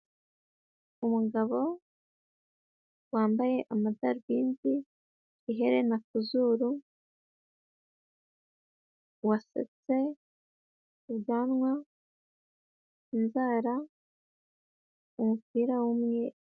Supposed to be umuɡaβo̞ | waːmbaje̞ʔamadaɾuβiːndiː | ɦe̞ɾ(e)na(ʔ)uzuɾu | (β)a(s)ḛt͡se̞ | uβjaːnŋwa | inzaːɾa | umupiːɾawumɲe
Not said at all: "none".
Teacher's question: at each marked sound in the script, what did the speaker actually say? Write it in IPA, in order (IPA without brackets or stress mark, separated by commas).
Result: e, k, w, s